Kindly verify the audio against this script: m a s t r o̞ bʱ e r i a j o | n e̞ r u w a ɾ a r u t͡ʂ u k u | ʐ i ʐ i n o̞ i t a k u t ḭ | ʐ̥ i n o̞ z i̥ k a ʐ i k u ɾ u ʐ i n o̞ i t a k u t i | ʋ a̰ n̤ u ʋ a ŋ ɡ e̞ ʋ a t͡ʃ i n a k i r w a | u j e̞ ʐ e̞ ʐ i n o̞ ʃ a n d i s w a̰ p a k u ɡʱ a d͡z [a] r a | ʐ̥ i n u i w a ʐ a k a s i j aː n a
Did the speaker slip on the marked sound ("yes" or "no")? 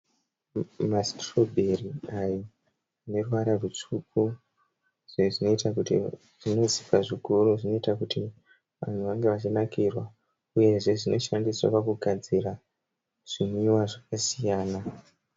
yes